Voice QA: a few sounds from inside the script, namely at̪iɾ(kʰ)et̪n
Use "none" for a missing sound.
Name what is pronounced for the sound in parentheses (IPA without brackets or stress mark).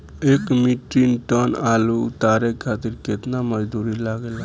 k